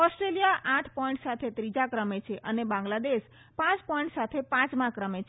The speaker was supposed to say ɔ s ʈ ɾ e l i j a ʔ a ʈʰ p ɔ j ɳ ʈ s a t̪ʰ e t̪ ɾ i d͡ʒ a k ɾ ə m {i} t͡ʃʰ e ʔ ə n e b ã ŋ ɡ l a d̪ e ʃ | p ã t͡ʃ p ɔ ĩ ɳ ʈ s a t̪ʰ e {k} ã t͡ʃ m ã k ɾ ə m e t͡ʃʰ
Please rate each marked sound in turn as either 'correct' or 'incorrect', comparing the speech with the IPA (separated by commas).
incorrect, incorrect